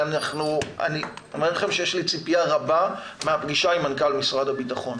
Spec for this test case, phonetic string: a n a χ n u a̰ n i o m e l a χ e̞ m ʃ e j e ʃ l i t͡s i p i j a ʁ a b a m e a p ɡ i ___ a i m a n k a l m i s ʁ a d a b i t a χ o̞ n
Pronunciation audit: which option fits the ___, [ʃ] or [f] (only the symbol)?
ʃ